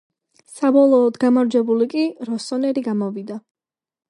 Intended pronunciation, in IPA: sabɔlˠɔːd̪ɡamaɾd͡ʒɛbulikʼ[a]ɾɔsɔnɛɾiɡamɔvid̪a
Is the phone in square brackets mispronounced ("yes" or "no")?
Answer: yes